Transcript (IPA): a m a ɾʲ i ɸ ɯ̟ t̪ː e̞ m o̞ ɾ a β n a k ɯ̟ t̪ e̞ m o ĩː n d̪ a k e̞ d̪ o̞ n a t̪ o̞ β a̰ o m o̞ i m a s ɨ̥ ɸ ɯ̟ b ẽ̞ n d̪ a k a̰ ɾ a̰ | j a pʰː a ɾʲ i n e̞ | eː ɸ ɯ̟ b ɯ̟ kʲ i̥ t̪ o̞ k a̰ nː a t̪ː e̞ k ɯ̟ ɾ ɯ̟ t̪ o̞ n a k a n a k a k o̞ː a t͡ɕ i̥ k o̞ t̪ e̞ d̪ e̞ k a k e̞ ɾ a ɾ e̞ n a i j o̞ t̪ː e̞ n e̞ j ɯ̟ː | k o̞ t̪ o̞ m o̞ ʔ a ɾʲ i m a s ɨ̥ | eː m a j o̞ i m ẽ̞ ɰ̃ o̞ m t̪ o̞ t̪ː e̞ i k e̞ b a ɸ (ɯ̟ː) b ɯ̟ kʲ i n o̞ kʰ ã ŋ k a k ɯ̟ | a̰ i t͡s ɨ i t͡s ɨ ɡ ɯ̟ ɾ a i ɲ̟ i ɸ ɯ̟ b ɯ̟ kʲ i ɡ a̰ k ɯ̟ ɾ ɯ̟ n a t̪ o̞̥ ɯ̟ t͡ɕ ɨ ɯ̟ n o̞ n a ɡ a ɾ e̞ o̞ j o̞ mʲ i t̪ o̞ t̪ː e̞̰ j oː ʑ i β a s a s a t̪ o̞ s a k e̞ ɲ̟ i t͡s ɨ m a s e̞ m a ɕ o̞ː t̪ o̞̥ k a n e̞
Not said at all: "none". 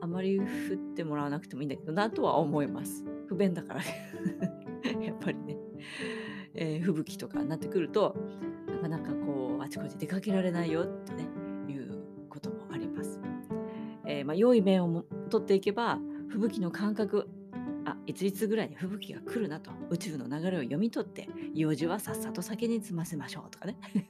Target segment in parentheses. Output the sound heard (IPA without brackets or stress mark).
ɯ̟